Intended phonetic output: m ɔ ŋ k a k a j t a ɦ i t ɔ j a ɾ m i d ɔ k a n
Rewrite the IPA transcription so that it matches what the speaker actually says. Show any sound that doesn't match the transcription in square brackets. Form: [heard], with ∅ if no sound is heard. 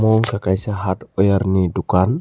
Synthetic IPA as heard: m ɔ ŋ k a k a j [s] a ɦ [a] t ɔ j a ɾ [n] i d [u] k a n